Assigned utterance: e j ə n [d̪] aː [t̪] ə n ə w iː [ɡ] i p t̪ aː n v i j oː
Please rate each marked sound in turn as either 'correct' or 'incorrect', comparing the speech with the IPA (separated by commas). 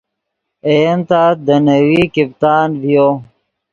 incorrect, incorrect, incorrect